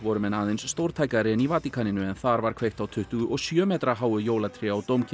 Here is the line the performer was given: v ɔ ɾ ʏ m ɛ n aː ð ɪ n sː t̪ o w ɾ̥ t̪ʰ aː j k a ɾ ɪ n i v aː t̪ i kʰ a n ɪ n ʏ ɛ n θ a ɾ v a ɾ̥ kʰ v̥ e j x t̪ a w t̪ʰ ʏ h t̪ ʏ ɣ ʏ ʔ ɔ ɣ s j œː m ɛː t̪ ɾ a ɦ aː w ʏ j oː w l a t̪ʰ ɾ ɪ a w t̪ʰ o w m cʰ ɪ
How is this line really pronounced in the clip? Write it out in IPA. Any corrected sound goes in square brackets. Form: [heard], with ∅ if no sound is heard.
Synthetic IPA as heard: v ɔ ɾ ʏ m ɛ n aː ð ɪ n sː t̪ o w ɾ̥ t̪ʰ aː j k a ɾ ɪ n i v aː t̪ i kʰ a n ɪ n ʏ ɛ n θ a ɾ v a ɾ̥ kʰ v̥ e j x t̪ a w t̪ʰ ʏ h t̪ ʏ ɣ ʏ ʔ ɔ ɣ s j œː m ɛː t̪ ɾ a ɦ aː w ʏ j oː w l a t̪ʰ ɾ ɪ a w [t̪] o w m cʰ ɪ